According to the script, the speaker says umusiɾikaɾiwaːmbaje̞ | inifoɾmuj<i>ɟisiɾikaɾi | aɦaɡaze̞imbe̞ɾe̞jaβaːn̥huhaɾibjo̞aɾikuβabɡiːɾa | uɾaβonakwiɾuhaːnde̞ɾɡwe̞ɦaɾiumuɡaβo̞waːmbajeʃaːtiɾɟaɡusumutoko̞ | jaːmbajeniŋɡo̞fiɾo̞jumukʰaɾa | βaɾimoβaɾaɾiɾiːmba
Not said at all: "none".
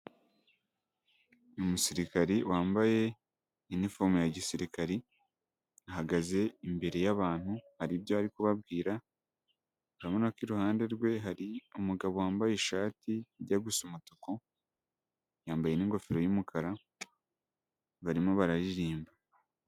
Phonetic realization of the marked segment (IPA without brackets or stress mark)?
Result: a